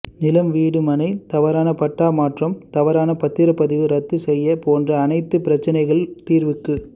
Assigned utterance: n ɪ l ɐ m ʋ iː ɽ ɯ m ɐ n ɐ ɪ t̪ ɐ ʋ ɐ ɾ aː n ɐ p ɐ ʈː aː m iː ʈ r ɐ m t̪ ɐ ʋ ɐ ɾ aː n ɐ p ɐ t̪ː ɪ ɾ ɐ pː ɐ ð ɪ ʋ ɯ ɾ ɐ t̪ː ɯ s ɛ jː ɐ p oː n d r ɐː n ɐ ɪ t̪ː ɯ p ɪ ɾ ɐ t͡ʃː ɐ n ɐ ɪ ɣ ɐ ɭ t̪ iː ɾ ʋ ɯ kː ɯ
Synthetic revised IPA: n ɪ l ɐ m ʋ iː ɽ ɯ m ɐ n ɐ ɪ t̪ ɐ ʋ ɐ ɾ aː n ɐ p ɐ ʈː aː m aː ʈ r ɐ m t̪ ɐ ʋ ɐ ɾ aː n ɐ p ɐ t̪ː ɪ ɾ ɐ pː ɐ ð ɪ ʋ ɯ ɾ ɐ t̪ː ɯ s ɛ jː ɐ p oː n d r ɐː n ɐ ɪ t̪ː ɯ p ɪ ɾ ɐ t͡ʃː ɐ n ɐ ɪ ɣ ɐ ɭ t̪ iː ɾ ʋ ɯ kː ɯ